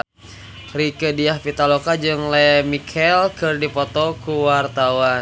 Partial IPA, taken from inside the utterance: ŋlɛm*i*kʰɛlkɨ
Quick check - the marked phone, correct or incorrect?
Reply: correct